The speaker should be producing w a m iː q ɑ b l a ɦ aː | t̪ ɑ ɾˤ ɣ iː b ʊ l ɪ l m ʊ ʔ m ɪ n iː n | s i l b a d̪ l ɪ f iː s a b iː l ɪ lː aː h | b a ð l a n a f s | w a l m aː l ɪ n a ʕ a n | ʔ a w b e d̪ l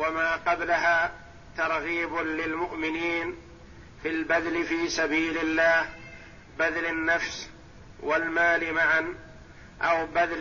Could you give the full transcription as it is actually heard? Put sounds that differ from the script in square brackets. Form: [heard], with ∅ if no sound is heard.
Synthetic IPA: w a m [aː] q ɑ b l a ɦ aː | t̪ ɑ ɾˤ ɣ iː b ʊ l ɪ l m ʊ ʔ m ɪ n iː n | [f] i l b a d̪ l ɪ f iː s a b iː l ɪ lː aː h | b a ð l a [nː] a f s | w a l m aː l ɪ [m] a ʕ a n | ʔ a w b [a] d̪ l